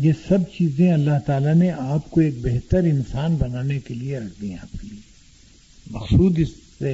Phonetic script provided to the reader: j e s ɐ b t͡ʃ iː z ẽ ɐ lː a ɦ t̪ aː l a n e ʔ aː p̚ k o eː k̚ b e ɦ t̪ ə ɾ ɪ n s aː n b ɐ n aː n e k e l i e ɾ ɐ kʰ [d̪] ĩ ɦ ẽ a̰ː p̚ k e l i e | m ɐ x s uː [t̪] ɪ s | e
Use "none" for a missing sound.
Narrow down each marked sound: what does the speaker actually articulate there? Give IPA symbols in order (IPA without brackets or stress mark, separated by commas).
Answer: d̪, d̪